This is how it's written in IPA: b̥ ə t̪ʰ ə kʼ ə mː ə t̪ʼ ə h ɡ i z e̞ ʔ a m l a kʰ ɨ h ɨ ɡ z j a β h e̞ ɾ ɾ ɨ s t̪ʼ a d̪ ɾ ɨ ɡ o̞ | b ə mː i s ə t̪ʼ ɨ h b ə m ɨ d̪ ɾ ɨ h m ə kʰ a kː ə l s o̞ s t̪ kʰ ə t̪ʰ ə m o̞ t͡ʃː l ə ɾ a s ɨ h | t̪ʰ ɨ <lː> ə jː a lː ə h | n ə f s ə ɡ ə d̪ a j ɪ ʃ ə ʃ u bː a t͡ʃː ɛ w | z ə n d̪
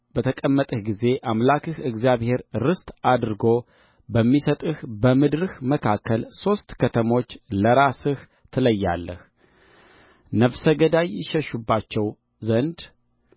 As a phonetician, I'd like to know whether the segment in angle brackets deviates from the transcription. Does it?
yes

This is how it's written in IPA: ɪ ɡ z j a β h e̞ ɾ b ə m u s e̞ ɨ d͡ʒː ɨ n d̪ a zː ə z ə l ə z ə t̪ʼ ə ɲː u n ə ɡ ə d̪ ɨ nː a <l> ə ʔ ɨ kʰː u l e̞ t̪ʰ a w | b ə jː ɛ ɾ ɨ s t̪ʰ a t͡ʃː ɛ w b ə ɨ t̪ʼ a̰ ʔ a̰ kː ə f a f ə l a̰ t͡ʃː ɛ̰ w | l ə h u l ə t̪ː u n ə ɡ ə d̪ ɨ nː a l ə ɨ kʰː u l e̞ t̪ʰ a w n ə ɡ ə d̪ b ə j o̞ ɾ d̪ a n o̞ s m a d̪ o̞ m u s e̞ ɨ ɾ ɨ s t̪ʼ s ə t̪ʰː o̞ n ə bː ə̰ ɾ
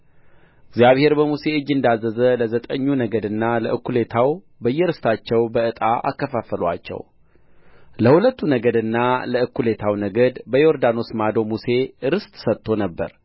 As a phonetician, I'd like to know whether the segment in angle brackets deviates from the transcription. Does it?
no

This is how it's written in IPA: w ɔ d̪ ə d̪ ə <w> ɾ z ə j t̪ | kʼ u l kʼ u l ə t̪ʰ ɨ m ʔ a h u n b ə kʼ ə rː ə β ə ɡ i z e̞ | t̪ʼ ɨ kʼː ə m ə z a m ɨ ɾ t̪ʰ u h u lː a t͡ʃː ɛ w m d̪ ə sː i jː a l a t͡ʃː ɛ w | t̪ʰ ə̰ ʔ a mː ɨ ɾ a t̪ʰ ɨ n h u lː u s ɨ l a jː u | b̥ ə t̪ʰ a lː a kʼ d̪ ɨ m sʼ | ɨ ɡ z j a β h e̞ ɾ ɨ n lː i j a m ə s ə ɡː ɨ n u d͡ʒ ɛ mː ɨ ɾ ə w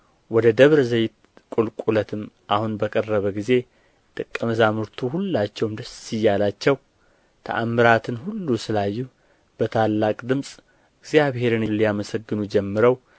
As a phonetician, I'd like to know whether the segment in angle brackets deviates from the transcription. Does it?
yes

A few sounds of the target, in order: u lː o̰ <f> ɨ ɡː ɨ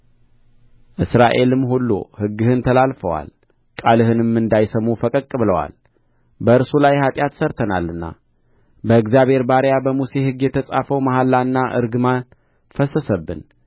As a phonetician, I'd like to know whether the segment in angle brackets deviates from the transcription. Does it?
yes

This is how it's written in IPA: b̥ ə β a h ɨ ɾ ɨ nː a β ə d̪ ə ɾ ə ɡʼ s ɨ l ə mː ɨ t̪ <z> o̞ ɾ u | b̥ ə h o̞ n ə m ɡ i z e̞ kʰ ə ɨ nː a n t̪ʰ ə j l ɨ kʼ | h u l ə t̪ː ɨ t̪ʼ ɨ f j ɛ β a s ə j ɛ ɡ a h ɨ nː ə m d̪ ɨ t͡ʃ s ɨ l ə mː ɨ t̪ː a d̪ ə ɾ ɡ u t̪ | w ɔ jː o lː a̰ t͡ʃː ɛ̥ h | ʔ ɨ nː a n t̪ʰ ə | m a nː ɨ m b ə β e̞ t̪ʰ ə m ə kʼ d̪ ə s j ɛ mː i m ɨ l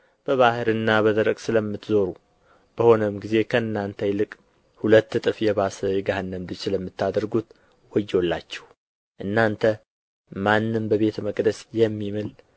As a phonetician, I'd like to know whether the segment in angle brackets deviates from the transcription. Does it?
no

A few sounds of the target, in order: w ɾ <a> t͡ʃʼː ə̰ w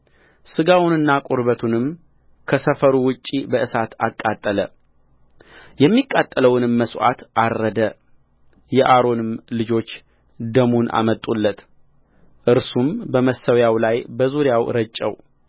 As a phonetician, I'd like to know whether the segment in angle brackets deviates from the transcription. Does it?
yes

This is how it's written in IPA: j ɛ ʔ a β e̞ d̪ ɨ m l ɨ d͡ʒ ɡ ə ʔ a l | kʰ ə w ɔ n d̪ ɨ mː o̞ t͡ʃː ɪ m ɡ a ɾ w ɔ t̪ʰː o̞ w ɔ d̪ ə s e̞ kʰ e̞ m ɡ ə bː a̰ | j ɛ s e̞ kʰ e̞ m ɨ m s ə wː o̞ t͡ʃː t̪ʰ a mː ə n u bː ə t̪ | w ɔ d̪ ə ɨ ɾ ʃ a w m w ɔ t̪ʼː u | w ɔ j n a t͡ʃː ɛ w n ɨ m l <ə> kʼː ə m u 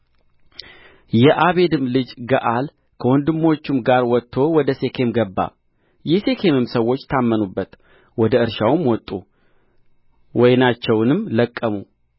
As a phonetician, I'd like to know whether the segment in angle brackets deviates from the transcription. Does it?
no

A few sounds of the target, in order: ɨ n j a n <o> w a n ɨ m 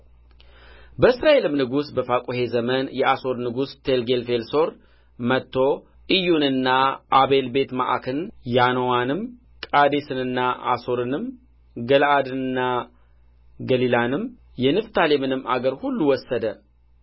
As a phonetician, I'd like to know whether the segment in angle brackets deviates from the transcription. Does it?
no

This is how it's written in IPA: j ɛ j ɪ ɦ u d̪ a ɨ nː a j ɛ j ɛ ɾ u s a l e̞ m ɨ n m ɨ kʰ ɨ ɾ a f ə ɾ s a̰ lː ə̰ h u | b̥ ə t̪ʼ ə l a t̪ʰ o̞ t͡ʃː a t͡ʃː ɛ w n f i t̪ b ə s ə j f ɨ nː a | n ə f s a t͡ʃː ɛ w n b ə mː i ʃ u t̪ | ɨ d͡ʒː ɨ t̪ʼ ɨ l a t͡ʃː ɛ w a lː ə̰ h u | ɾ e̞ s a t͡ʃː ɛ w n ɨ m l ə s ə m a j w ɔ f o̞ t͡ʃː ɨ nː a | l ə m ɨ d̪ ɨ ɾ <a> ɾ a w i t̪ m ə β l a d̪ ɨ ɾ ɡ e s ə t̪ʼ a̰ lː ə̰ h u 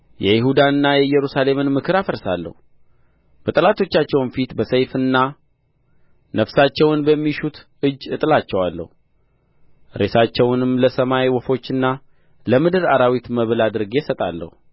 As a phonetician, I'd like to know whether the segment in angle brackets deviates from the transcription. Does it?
no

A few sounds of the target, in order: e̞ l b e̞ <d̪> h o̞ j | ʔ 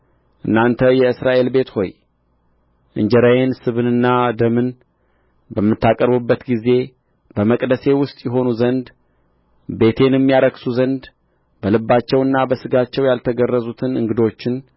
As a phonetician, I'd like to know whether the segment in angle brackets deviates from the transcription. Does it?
yes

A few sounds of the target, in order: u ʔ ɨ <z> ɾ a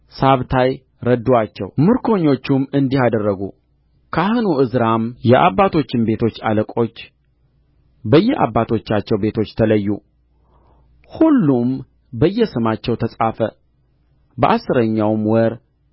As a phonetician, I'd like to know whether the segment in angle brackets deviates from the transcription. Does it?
no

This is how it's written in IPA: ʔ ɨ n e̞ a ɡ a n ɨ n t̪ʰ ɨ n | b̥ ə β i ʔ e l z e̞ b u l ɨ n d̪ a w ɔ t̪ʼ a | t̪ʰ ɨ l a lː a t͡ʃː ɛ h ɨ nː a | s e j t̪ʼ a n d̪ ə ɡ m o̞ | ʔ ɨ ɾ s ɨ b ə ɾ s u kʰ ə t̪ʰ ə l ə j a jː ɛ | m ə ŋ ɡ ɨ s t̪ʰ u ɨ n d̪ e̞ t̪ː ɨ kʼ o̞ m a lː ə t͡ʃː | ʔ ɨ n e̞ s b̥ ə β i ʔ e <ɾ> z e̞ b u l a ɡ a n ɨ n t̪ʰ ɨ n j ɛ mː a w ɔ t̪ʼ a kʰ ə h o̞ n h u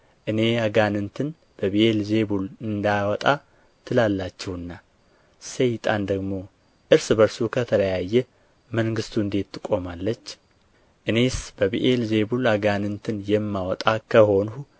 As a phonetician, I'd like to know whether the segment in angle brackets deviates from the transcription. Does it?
yes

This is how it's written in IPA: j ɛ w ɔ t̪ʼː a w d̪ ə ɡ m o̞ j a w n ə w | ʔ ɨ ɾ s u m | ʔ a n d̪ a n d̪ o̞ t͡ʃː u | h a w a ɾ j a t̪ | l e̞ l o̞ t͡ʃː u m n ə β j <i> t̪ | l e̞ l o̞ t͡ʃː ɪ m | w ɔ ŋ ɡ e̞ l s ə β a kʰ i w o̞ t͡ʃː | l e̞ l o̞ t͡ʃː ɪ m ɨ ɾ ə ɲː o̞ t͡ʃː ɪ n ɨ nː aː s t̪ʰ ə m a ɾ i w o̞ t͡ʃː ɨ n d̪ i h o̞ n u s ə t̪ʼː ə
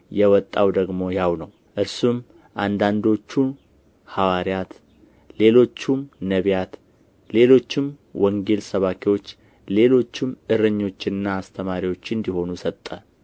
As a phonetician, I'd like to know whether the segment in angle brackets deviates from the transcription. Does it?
yes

